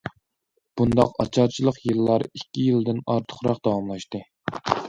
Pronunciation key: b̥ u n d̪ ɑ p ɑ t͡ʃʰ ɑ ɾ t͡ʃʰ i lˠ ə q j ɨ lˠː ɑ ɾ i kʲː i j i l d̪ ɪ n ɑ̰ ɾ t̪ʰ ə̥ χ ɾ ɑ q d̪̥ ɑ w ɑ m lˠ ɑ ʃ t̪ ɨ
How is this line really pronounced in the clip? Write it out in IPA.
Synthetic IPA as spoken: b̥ u n d̪ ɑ q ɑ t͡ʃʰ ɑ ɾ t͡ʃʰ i lˠ ə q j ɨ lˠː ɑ ɾ i kʲː i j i l d̪ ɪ n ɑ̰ ɾ t̪ʰ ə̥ χ ɾ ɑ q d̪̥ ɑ w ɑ m lˠ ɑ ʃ t̪ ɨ